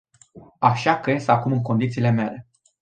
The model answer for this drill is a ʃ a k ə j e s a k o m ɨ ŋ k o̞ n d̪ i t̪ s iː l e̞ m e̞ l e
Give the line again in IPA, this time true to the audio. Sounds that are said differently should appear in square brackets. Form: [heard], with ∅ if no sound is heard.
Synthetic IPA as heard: a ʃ a k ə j e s a k [u] m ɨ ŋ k o̞ n d̪ i t̪ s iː l e̞ m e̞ l e

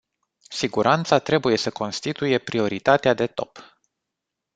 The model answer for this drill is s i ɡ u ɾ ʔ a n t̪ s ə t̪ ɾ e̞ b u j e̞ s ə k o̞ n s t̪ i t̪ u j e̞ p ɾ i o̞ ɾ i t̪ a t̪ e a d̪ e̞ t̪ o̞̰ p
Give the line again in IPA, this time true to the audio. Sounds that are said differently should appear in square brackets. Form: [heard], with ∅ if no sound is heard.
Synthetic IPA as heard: s i ɡ u ɾ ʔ a n t̪ s [a] t̪ ɾ e̞ b u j e̞ s ə k o̞ n s t̪ i t̪ u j e̞ p ɾ i o̞ ɾ i t̪ a t̪ e a d̪ e̞ t̪ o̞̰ p

